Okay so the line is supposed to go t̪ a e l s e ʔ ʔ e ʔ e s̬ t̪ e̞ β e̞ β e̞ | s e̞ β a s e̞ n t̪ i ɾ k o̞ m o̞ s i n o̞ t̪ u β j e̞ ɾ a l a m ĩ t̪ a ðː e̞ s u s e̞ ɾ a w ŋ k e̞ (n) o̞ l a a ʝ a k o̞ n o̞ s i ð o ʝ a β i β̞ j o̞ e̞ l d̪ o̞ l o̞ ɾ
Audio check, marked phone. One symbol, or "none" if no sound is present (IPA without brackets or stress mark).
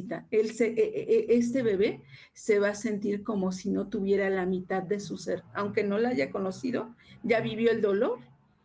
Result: n